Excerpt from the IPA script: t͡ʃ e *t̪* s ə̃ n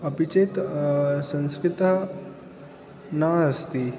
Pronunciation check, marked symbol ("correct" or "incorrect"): correct